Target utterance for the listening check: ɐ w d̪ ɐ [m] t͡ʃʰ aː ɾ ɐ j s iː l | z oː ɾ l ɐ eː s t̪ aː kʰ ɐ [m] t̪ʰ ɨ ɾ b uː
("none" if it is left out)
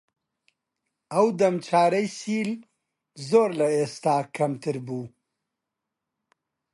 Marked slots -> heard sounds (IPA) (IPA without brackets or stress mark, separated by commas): m, m